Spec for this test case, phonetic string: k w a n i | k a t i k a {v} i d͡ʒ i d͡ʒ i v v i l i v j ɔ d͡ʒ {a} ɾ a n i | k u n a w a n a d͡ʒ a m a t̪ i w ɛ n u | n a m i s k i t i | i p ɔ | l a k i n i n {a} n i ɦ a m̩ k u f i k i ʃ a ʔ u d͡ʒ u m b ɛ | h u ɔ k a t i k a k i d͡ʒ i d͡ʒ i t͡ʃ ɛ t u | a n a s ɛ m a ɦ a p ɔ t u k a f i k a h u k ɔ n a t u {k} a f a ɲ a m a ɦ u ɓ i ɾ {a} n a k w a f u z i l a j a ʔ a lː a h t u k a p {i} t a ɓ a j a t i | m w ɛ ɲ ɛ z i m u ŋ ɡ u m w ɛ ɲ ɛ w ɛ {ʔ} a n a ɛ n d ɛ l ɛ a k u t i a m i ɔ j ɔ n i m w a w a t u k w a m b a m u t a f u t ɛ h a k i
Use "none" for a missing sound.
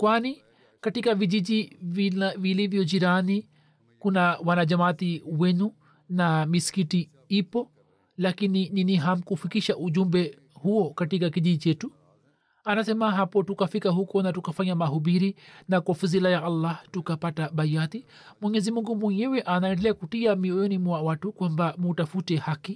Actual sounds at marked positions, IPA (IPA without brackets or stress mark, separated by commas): v, i, i, k, i, a, ʔ